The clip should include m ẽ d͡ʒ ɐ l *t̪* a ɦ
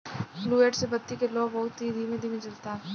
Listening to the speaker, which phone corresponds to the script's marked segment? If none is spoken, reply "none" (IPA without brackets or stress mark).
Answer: t̪